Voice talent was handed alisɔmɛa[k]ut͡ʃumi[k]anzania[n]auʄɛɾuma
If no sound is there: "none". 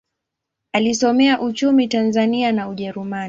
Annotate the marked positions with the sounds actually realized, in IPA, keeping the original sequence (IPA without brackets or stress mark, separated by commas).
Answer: ʔ, t, n